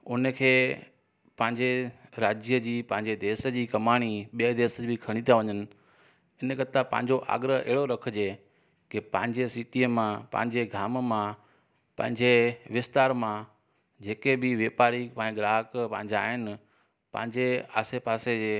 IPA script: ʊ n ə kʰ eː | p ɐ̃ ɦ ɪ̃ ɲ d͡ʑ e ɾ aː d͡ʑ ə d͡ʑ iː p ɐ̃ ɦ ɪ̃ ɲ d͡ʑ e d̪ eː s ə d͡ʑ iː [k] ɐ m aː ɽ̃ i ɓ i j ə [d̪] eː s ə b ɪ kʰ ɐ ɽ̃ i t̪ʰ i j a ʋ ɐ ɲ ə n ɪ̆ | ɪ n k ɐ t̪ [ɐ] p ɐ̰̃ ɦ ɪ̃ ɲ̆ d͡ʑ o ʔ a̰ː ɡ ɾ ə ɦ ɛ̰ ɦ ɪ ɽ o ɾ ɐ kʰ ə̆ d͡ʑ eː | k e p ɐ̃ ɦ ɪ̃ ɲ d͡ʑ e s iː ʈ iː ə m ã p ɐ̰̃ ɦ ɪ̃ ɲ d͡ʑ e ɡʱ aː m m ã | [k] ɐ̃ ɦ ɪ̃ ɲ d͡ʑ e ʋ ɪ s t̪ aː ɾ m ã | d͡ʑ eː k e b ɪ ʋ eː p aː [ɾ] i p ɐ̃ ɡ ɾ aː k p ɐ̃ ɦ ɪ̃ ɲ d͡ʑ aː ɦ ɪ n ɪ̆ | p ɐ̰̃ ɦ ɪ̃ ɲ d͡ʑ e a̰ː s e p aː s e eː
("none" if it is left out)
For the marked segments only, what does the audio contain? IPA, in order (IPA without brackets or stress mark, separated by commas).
k, d̪, a, p, ɾ